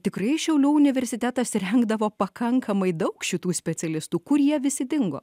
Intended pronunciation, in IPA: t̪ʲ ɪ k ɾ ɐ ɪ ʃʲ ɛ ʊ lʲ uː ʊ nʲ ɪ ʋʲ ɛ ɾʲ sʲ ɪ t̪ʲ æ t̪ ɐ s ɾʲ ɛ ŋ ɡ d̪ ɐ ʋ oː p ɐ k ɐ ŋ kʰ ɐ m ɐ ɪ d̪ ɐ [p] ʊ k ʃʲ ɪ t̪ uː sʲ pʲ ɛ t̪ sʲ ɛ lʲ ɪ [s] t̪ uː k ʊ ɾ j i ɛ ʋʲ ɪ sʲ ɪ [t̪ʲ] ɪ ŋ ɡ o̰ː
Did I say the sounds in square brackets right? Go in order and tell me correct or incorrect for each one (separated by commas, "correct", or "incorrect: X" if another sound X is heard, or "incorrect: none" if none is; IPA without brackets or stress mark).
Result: incorrect: none, correct, incorrect: d̪ʲ